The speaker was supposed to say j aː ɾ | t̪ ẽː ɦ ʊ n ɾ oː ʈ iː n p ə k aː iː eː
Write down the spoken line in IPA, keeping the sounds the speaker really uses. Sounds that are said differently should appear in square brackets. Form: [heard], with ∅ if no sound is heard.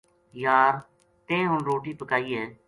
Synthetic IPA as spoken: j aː ɾ | t̪ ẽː ɦ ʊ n ɾ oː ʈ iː [∅] p ə k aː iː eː